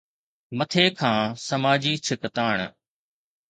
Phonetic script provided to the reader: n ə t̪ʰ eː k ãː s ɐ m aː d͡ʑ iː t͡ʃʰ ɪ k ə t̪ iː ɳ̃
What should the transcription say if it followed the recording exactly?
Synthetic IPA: m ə t̪ʰ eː kʰ ãː s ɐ m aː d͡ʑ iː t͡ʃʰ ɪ k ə t̪ aː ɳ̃